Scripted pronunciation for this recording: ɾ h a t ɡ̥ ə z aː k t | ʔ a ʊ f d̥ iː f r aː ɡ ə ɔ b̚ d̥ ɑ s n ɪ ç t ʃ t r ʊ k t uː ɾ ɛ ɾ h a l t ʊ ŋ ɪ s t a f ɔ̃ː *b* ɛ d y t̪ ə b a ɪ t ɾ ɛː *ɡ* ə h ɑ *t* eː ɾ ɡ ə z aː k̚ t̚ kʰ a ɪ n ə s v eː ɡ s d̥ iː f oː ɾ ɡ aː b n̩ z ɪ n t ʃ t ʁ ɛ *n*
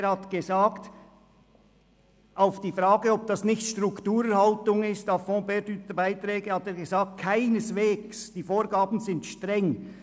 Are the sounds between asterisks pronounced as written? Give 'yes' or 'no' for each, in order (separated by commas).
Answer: yes, yes, yes, no